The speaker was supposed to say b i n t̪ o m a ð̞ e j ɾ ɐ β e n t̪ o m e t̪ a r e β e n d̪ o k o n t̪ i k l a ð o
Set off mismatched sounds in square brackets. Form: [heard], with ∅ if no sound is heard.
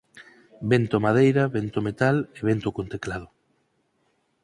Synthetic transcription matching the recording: b [e] n t̪ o m a ð̞ e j ɾ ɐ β e n t̪ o m e t̪ a [l] e β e n [t̪] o k o n t̪ [e] k l a ð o

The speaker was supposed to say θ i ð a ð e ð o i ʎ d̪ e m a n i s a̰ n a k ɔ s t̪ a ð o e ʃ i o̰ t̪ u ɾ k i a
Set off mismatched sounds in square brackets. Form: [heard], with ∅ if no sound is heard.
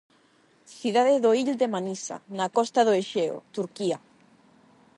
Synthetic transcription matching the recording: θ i ð a ð e ð o i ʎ d̪ e m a n i s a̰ n a k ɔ s t̪ a ð o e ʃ [e] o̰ t̪ u ɾ k i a

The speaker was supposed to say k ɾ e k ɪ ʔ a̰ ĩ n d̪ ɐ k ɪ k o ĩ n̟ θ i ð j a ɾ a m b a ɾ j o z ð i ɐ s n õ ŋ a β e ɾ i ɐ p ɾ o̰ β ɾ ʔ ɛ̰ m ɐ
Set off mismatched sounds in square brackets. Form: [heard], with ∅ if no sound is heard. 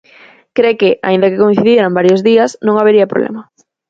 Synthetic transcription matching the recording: k ɾ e k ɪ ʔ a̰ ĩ n d̪ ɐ k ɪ k o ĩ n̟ θ i ð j [e] ɾ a m b a ɾ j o z ð i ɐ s n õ ŋ a β e ɾ i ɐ p ɾ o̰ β [l] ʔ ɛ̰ m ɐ

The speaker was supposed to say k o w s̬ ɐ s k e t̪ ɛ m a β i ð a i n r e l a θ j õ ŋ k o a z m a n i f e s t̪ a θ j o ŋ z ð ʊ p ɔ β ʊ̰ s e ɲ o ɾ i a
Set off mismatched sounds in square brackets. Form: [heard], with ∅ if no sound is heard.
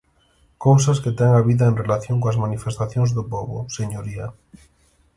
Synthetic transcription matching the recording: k o w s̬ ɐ s k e t̪ ɛ [ŋ] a β i ð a [e] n r e l a θ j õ ŋ k o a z m a n i f e s t̪ a θ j o ŋ z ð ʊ p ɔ β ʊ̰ s e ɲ o ɾ i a

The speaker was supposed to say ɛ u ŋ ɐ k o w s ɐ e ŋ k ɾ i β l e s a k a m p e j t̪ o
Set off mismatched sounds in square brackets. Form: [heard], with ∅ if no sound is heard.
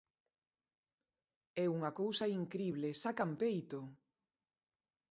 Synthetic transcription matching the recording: ɛ u ŋ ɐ k o w s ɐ [i] ŋ k ɾ i β l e s a k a m p e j t̪ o

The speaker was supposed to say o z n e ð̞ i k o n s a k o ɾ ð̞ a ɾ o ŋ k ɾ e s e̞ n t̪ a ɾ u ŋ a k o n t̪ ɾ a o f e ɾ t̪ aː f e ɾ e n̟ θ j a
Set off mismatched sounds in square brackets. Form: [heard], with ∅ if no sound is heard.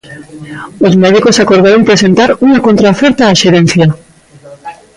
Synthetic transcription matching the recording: o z [m] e ð̞ i k o [∅] s a k o ɾ ð̞ a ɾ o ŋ [p] ɾ e s e̞ n t̪ a ɾ u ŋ a k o n t̪ ɾ a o f e ɾ t̪ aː [ʃ] e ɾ e n̟ θ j a

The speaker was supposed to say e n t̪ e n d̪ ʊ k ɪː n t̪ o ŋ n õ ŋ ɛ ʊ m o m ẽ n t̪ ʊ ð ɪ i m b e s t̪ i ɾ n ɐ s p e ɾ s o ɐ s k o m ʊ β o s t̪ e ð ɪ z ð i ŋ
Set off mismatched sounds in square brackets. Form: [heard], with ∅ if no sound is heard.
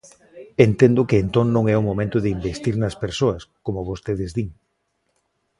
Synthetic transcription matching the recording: e n t̪ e n d̪ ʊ k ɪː n t̪ o ŋ n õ ŋ ɛ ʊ m o m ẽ n t̪ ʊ ð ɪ i m b e s t̪ i ɾ n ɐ s p e ɾ s o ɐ s k o m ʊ β o s t̪ e ð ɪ z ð i ŋ

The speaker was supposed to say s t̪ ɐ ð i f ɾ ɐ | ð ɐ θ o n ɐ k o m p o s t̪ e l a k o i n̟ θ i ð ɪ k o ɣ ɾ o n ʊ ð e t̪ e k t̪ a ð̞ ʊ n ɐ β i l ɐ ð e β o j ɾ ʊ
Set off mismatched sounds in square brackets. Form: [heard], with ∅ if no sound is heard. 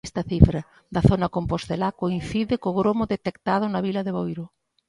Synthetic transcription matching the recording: s t̪ ɐ [θ] i f ɾ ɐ | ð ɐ θ o n ɐ k o m p o s t̪ e l a k o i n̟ θ i ð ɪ k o ɣ ɾ o [m] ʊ ð e t̪ e k t̪ a ð̞ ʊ n ɐ β i l ɐ ð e β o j ɾ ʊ

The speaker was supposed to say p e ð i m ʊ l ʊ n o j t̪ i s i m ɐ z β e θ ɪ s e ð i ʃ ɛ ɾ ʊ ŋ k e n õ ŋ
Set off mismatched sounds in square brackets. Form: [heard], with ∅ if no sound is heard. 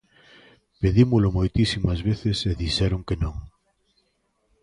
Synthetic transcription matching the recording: p e ð i m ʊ l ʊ [m] o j t̪ i s i m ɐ z β e θ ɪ s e ð i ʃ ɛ ɾ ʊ ŋ k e n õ ŋ

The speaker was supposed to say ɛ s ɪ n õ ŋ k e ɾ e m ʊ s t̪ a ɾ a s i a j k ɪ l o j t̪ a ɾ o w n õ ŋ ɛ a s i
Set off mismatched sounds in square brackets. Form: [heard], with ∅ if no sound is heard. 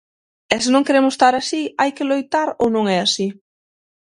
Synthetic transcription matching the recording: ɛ s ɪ n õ ŋ k e ɾ e m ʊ s t̪ a ɾ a s i a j k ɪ l o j t̪ a ɾ o w n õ ŋ ɛ a s i

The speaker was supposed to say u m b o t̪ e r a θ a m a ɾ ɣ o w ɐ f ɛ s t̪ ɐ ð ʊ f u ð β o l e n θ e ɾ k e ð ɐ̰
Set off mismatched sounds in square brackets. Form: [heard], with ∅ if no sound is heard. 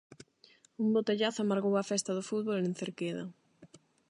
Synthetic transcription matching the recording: u m b o t̪ e [ʎ] a θ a m a ɾ ɣ o w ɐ f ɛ s t̪ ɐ ð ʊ f u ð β o l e n θ e ɾ k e ð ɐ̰

